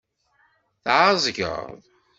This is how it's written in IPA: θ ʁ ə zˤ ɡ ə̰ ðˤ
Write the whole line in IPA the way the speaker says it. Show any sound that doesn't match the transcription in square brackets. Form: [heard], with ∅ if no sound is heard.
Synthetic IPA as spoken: θ [ʕ] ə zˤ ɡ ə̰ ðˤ

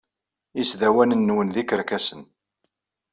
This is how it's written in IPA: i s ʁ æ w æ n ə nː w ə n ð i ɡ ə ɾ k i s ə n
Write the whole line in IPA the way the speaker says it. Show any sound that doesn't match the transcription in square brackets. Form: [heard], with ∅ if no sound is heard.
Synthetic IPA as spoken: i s [ð] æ w æ n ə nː w ə n ð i [k] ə ɾ k [æ] s ə n

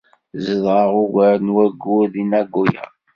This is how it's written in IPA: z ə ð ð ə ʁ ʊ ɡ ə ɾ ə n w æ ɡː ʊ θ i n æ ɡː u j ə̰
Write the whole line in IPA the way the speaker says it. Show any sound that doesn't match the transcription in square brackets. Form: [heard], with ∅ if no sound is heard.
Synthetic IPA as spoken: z ə ð [ʁ] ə ʁ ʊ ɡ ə ɾ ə n w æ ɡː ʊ [ð] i n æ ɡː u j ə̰

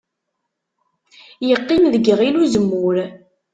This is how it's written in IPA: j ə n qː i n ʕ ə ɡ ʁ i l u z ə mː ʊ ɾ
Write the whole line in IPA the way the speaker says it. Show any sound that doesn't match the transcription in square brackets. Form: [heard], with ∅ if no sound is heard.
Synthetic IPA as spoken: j ə [∅] qː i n [ð] ə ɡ ʁ i l u z ə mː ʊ ɾ

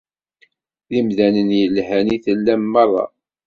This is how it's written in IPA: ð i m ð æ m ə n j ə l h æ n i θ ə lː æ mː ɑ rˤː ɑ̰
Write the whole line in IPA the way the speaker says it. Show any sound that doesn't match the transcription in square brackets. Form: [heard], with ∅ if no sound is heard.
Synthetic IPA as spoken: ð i m ð æ [n] ə n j ə l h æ n i θ ə lː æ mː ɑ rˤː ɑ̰

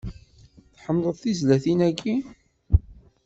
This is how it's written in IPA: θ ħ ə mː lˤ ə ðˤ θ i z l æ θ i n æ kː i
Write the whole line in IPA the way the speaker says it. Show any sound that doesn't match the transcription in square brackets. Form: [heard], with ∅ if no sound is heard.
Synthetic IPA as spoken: θ ħ ə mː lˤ ə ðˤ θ i z l æ θ i n æ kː i

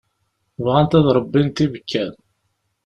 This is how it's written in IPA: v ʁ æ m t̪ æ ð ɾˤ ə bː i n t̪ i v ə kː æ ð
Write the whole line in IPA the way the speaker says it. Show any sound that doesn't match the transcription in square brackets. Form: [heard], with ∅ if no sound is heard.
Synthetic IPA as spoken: v ʁ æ [n] t̪ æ ð ɾˤ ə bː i n t̪ i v ə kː æ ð

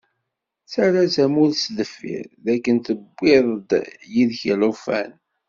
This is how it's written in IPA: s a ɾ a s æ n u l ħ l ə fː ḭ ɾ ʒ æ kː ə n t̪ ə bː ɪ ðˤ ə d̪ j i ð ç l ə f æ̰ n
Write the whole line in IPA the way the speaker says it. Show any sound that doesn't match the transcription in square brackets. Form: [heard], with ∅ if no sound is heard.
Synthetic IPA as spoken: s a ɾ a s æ [m] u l [s] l ə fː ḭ ɾ [ð] æ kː ə n t̪ ə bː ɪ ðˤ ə d̪ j i ð ç l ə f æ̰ n

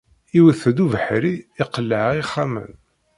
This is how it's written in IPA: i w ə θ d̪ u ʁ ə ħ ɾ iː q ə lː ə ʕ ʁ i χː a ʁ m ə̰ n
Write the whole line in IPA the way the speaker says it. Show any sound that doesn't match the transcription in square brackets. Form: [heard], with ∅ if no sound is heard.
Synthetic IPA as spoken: i w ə θ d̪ u [v] ə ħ ɾ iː q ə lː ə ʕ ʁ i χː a [∅] m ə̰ n

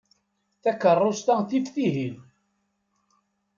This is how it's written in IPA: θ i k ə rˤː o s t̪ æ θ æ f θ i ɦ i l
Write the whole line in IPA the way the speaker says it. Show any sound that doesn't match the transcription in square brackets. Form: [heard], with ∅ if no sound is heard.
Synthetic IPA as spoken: θ [æ] k ə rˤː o s t̪ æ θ [i] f θ i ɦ i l

